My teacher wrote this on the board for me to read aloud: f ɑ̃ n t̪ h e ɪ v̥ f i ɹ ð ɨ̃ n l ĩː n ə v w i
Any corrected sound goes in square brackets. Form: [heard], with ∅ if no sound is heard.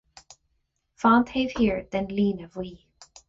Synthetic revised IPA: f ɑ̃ n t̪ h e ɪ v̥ [h] i ɹ ð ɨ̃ n l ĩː n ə v w i